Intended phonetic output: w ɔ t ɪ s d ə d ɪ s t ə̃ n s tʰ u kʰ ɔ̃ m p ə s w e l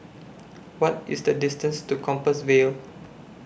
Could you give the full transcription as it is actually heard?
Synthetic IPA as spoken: w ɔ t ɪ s d ə d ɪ s t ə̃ n s t u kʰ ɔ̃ m p ə s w e l

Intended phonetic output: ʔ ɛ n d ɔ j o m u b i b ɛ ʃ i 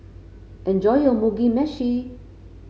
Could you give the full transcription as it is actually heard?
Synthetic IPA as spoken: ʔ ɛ n d͡ʒ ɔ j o m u ɡ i m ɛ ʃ i

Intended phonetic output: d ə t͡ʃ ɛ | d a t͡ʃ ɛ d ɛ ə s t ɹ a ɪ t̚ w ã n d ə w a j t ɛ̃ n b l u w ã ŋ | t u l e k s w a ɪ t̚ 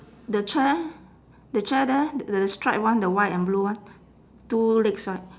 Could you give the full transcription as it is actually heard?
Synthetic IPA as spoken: d ə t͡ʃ ɛ | d ə t͡ʃ ɛ d ɛ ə s t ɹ a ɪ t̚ w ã n d ə w a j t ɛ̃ n b l u w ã n | t u l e k s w a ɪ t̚

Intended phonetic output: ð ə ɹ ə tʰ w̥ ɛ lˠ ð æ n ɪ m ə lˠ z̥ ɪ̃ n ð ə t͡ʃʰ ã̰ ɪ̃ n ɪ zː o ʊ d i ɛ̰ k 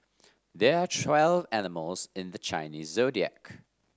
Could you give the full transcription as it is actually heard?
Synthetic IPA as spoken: ð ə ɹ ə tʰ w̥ ɛ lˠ v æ n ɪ m ə lˠ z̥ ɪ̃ n ð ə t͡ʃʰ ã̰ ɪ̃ n i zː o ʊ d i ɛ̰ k

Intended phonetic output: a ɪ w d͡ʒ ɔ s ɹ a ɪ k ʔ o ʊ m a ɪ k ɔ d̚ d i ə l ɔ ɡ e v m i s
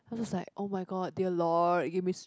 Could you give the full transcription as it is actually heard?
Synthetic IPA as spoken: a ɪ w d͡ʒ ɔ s l a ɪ k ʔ o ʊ m a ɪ ɡ ɔ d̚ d i ə l ɔ ɡ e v m i s

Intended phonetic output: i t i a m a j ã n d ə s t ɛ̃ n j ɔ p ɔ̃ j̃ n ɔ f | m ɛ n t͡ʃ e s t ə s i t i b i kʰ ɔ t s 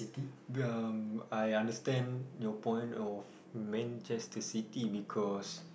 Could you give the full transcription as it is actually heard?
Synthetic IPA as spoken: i t i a m a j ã n d ə s t ɛ̃ n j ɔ p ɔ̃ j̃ n ɔ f | m ɛ̃ n t͡ʃ ɛ s t ə s i t i b i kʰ ɔ s

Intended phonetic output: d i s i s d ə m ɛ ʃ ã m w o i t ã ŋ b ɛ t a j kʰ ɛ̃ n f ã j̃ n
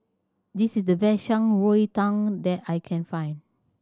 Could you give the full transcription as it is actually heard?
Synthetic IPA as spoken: d i s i s d ə b ɛ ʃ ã ŋ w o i t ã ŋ d ɛ t a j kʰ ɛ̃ n f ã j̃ n

